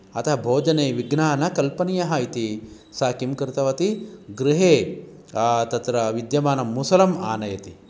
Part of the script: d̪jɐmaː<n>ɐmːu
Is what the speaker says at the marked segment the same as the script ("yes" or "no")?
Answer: yes